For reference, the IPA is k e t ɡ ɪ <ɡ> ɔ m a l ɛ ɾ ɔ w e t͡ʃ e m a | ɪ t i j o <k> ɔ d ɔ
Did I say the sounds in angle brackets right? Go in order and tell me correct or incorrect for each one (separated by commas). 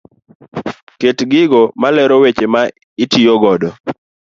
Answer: correct, incorrect